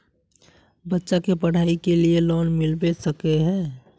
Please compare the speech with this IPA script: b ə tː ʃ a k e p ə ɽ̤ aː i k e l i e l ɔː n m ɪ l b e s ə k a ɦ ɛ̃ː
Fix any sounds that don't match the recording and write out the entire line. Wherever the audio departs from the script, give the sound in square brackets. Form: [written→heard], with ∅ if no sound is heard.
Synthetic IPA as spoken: b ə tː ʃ a k e p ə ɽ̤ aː i k e l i e l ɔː n m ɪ l b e s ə k [a→e] ɦ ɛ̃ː